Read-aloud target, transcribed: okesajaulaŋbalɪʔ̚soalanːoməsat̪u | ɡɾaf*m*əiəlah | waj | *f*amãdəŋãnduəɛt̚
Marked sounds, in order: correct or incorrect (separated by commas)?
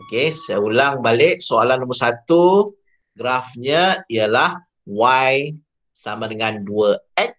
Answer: incorrect, incorrect